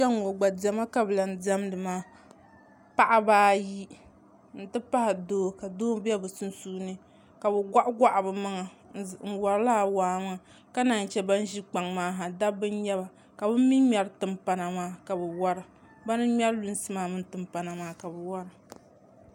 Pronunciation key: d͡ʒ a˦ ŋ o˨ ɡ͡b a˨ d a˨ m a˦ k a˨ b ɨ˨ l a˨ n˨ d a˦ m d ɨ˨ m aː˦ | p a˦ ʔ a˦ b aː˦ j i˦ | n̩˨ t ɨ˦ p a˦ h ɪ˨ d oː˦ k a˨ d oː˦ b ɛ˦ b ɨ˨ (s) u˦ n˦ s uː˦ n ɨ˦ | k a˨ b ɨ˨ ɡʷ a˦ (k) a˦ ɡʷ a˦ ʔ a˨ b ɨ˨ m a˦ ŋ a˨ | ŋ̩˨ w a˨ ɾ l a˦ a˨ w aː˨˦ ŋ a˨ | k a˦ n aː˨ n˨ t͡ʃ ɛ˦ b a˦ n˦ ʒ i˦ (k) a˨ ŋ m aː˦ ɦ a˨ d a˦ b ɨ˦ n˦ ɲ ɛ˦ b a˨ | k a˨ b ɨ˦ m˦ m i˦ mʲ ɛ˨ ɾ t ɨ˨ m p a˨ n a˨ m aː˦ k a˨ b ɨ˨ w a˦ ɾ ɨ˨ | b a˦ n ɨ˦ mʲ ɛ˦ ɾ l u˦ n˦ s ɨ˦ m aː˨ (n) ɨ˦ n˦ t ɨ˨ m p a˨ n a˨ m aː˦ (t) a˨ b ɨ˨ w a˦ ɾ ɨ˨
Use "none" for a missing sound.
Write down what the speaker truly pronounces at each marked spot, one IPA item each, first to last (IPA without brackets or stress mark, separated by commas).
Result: s, ʔ, k͡p, m, k